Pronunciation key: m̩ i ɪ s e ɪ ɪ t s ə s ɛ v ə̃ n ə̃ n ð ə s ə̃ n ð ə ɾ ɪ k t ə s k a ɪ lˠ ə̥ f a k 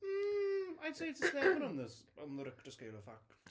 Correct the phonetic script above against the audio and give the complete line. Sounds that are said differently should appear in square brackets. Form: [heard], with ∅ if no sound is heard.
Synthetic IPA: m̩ [a] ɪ s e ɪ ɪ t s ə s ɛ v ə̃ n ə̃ n ð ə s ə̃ n ð ə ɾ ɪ k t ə s k [e] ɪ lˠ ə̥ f a k